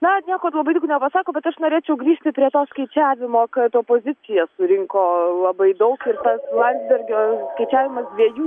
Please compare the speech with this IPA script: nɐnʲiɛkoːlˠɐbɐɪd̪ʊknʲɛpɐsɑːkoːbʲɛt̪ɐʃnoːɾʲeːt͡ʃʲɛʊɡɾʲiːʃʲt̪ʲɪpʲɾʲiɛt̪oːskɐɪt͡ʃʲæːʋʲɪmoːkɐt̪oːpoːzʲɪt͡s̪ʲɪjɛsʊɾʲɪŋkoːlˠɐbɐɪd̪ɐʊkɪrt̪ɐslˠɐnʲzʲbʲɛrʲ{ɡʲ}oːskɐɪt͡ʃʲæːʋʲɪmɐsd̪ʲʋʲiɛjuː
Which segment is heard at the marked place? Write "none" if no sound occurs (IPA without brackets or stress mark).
ɡʲ